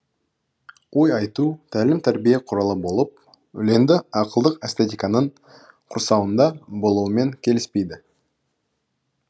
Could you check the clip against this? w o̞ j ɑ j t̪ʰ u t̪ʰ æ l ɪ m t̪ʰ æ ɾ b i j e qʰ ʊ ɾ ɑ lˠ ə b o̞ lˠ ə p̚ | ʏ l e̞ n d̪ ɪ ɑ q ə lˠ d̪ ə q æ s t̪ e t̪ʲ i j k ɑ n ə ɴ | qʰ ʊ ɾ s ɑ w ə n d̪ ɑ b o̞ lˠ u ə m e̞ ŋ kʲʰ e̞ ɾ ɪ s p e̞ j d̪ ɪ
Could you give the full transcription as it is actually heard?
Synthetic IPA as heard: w o̞ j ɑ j t̪ u t̪ʰ æ l ɪ m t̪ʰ æ ɾ b i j e qʰ ʊ ɾ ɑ lˠ ə b o̞ lˠ ə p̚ | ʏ l e̞ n d̪ ɪ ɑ q ə lˠ d̪ ə q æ s t̪ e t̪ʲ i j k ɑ n ə ɴ | qʰ ʊ ɾ s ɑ w ə n d̪ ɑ b o̞ lˠ u ə m e̞ ŋ kʲʰ e̞ l ɪ s p e̞ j d̪ ɪ

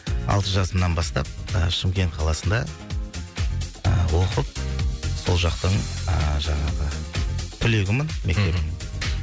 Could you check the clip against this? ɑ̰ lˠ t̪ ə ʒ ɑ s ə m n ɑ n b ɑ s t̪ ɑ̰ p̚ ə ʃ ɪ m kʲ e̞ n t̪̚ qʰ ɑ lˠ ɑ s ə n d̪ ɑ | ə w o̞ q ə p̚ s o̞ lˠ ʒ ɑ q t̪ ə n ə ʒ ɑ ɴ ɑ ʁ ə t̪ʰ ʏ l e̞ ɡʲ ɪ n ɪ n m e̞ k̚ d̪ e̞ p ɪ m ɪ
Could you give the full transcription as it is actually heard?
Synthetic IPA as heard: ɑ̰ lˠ t̪ ə ʒ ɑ s ə m n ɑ n b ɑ s t̪ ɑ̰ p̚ ə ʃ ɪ m kʲ e̞ n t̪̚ qʰ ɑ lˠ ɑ s ə n d̪ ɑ | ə w o̞ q ə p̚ s o̞ lˠ ʒ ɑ q t̪ ə ɴ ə ʒ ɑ ɴ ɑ ʁ ə t̪ʰ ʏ l e̞ ɡʲ ɪ m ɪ n m e̞ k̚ t̪ e̞ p ɪ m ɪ

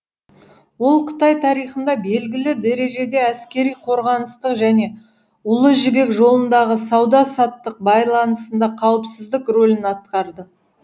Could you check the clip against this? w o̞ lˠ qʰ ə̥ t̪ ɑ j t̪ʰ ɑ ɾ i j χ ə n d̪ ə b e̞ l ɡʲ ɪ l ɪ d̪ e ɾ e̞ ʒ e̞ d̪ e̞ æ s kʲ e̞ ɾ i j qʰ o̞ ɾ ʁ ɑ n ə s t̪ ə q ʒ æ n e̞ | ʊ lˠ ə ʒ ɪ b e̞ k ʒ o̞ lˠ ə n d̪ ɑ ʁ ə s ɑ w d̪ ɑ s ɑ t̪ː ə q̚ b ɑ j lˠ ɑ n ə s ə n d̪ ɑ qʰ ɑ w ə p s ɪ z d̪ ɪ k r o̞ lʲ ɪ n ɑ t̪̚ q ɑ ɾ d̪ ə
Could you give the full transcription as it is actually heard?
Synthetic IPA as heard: w o̞ lˠ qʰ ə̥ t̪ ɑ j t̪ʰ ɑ ɾ i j χ ə n d̪ ɑ b e̞ l ɡʲ ɪ l ɪ d̪ e ɾ e̞ ʒ e̞ d̪ e̞ æ s kʲ e̞ ɾ i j qʰ o̞ ɾ ʁ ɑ n ə s t̪ ə q ʒ æ n e̞ | ʊ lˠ ə ʒ ɪ b e̞ k ʒ o̞ lˠ ə n d̪ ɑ ʁ ə s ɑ w d̪ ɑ s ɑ t̪ː ə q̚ b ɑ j lˠ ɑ n ə s ə n d̪ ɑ qʰ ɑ w ə p s ɪ z d̪ ɪ k r o̞ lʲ ɪ n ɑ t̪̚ q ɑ ɾ d̪ ə

